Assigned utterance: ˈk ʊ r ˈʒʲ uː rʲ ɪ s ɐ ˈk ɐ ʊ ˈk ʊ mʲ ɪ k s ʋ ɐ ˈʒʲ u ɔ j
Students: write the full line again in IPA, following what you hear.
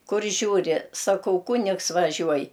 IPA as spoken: ˈk ʊ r ˈʒʲ uː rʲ ɪ s ɐ ˈk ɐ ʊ ˈk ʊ nʲ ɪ k s ʋ ɐ ˈʒʲ u ɔ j